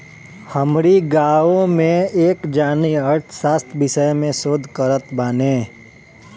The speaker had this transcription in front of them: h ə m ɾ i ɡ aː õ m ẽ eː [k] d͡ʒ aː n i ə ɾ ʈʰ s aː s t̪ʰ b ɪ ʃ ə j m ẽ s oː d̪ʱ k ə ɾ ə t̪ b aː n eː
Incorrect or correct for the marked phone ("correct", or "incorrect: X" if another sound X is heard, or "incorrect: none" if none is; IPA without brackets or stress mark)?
correct